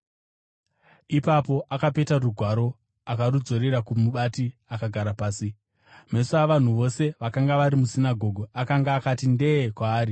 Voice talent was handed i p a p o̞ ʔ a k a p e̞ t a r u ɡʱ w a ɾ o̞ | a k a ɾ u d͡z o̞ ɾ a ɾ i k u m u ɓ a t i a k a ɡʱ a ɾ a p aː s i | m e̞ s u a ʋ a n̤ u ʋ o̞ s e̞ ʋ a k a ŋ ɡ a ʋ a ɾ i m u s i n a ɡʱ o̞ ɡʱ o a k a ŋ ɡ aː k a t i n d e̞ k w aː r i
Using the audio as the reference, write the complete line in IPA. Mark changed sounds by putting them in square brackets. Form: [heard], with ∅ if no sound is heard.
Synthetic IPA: i p a p o̞ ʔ a k a p e̞ t a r u ɡʱ w a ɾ o̞ | a k a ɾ u d͡z o̞ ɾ [e] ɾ [a] k u m u ɓ a t i a k a ɡʱ a ɾ a p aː s i | m e̞ s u a ʋ a n̤ u ʋ o̞ s e̞ ʋ a k a ŋ ɡ a ʋ a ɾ i m u s i n a ɡʱ o̞ ɡʱ o a k a ŋ ɡ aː k a t i n d e̞ k w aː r i